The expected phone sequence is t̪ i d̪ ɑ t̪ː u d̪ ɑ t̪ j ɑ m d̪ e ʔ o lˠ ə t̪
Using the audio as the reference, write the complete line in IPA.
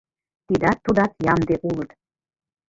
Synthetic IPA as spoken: t̪ i d̪ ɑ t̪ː u d̪ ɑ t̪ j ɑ m d̪ e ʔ u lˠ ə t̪